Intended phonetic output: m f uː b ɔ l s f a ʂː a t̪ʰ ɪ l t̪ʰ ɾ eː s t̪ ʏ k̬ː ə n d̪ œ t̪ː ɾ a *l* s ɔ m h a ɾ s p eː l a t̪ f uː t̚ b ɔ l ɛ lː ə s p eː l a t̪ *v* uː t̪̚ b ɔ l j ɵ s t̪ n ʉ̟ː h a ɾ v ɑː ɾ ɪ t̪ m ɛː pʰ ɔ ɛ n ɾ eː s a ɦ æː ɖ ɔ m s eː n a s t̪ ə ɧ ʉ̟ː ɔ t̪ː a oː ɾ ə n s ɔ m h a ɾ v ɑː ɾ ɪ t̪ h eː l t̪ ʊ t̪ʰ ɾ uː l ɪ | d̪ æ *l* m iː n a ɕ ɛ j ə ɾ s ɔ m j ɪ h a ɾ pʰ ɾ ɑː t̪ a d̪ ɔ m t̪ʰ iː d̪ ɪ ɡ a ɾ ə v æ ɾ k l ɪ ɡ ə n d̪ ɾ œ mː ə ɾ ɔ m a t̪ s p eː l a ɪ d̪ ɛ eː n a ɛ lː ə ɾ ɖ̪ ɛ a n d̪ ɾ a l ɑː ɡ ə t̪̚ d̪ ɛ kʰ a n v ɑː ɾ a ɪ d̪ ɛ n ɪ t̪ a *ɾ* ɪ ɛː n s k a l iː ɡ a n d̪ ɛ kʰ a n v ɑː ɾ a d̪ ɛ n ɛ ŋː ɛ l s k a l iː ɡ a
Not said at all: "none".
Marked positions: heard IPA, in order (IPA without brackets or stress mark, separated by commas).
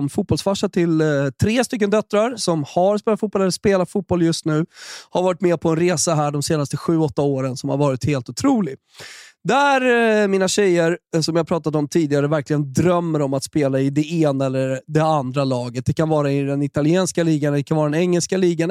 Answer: ɾ, f, ɾ, l